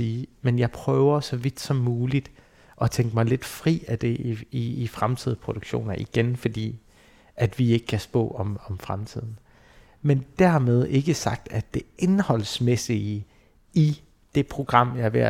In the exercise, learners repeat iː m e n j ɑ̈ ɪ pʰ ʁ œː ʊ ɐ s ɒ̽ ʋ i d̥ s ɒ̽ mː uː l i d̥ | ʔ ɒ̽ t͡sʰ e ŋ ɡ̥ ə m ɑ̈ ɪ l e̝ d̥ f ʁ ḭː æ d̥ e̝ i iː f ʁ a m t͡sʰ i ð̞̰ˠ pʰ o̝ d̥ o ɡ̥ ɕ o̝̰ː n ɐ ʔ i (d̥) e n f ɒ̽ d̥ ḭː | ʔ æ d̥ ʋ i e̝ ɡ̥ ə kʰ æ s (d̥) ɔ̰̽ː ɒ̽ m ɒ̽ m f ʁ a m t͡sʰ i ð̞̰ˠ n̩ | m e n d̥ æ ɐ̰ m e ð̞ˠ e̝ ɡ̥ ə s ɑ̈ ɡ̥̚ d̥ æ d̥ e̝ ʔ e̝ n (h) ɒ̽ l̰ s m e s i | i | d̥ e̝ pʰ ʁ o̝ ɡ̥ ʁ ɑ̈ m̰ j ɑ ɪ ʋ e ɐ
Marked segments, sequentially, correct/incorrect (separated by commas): incorrect, incorrect, correct